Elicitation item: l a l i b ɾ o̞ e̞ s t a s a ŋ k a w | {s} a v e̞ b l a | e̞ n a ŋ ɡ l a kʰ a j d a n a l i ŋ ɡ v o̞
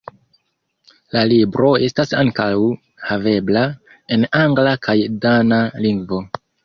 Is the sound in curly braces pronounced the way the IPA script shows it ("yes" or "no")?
no